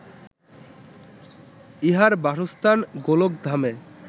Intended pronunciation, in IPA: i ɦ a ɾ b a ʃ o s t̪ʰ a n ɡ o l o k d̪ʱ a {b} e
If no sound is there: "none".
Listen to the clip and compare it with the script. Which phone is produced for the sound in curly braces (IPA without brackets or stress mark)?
m